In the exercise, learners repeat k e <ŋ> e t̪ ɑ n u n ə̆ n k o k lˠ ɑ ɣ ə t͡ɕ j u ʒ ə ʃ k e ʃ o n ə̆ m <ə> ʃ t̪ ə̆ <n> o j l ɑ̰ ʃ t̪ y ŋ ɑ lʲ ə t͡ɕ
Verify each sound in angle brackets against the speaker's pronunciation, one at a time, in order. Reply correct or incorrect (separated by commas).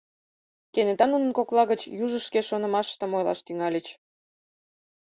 incorrect, incorrect, incorrect